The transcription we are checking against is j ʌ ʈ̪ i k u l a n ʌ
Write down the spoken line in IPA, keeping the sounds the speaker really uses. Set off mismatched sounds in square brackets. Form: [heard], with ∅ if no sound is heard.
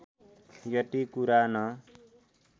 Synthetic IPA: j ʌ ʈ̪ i k u [ɾ] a n ʌ

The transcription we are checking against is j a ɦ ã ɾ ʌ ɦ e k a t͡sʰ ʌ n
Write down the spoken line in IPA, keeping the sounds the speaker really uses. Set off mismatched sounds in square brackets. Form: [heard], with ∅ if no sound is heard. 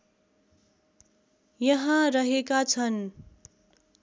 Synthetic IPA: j [ʌ] ɦ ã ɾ ʌ ɦ e k a t͡sʰ ʌ n

